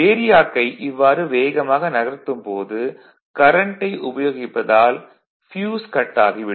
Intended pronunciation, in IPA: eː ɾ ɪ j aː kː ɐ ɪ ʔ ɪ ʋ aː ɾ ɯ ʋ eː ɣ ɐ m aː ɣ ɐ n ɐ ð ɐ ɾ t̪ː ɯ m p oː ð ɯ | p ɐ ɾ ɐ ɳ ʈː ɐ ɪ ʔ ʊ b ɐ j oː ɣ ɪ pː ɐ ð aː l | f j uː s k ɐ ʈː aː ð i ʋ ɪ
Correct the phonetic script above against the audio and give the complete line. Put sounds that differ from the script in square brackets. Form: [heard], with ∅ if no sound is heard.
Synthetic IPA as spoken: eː ɾ ɪ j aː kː ɐ ɪ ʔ ɪ [ʋː] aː ɾ ɯ ʋ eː ɣ ɐ m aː ɣ ɐ n ɐ [ɣ] ɐ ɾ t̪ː ɯ m p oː ð ɯ | [k] ɐ ɾ ɐ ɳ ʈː ɐ ɪ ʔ ʊ b ɐ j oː ɣ ɪ pː ɐ ð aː l | f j uː s k ɐ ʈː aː [ɣ] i ʋ ɪ